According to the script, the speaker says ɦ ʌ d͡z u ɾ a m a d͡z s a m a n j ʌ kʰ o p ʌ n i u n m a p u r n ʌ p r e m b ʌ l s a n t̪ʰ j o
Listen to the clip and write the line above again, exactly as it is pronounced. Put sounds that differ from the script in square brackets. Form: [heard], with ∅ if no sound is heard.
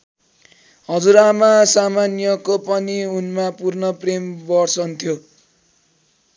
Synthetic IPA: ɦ ʌ d͡z u ɾ a m a [∅] s a m a n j ʌ [k] o p ʌ n i u n m a p u r n ʌ p r e m b ʌ [r] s [ʌ] n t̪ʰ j o